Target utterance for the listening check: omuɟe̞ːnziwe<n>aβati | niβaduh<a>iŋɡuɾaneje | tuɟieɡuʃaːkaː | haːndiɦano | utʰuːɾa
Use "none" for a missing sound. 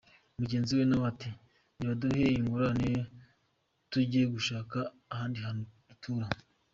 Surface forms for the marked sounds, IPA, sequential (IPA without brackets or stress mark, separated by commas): n, e